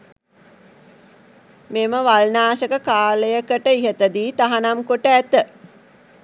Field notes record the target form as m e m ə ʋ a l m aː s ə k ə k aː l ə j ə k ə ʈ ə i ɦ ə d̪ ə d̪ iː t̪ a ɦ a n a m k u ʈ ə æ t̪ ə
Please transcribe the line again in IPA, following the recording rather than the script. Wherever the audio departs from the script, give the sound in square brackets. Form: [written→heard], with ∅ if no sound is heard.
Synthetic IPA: m e m ə ʋ a l [m→n] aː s ə k ə k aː l ə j ə k ə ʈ ə i ɦ ə [d̪→t̪] ə d̪ iː t̪ a ɦ a n a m k [u→o] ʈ ə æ t̪ ə